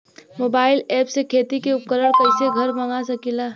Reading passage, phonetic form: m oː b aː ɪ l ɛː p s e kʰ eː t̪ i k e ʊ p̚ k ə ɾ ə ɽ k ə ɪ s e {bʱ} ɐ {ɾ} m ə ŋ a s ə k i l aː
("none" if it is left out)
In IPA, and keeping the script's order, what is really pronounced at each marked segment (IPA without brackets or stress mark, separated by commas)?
ɡʱ, ɾ